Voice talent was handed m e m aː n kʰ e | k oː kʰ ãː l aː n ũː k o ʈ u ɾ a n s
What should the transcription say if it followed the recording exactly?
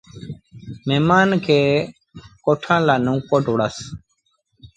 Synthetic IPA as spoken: m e m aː n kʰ e | k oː ʈʰ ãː l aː n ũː k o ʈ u ɽ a s